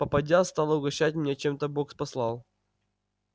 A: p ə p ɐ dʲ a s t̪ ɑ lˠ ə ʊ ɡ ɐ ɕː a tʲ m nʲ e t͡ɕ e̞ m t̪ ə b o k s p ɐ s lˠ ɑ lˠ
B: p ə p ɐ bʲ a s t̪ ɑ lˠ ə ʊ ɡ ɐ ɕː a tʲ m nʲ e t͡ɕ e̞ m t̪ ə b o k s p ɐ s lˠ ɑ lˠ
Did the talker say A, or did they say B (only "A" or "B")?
A